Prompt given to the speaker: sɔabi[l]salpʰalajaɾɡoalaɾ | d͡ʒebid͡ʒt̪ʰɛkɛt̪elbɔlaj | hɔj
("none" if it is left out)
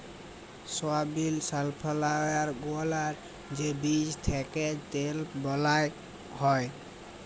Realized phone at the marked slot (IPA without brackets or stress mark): l